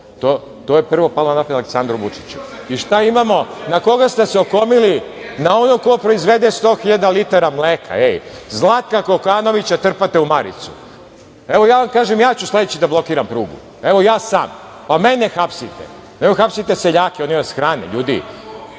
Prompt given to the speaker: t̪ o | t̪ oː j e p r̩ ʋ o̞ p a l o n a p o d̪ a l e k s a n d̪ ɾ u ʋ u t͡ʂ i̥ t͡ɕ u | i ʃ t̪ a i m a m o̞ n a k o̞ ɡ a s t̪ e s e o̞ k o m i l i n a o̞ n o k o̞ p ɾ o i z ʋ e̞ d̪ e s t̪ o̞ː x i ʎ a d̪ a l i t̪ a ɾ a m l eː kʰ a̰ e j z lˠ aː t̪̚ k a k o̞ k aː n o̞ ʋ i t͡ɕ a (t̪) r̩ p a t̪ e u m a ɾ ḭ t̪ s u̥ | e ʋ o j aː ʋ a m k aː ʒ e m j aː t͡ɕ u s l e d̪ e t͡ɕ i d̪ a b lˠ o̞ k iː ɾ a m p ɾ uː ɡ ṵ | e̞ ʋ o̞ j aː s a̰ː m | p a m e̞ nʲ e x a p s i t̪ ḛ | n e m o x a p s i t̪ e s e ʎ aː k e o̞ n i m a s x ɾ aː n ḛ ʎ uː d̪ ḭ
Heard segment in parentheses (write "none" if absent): t̪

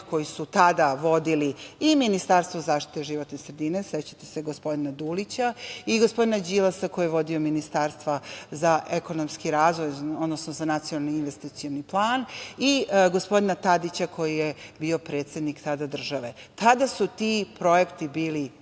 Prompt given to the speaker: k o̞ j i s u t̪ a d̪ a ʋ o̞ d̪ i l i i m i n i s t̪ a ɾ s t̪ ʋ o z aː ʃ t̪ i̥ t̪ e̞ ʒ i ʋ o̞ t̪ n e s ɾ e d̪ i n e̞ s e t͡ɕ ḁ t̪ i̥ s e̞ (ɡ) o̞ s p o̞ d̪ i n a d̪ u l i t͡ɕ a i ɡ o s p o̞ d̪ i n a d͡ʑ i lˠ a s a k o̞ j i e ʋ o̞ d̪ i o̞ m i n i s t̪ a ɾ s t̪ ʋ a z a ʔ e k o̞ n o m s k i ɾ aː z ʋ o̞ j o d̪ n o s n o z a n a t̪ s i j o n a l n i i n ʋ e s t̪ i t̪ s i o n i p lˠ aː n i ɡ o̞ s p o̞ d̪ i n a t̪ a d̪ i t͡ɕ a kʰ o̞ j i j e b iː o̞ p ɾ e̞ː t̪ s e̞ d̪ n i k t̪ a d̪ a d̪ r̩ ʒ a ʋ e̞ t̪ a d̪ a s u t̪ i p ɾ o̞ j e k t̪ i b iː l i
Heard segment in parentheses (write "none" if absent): ɡ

